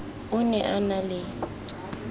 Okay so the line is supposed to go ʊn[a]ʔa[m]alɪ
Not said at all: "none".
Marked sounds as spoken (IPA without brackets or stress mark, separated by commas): ɛ, n